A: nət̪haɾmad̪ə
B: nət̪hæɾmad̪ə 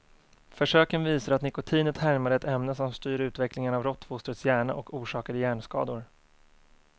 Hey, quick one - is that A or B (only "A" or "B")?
B